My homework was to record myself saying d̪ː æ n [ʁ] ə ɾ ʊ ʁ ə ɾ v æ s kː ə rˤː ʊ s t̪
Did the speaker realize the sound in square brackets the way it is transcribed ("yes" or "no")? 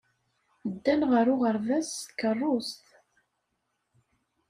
yes